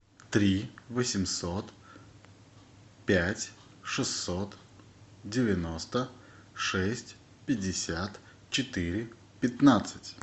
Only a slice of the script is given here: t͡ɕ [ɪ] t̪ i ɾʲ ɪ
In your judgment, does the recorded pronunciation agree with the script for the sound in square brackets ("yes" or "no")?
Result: yes